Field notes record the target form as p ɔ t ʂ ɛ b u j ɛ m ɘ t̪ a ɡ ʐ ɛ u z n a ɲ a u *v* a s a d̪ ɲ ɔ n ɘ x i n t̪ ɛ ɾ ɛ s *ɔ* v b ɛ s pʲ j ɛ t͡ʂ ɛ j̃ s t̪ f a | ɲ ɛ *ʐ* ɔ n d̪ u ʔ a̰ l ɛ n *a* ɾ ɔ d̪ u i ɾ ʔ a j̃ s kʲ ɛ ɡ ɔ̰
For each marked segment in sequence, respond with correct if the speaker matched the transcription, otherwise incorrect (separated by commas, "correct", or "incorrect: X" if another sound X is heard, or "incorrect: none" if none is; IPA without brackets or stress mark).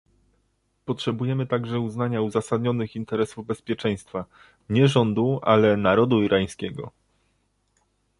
incorrect: z, incorrect: u, correct, correct